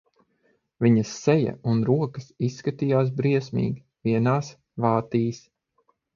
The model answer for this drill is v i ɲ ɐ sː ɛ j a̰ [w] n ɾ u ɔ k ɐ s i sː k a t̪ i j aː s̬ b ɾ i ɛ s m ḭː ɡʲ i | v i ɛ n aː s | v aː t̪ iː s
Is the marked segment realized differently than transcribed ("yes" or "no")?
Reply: yes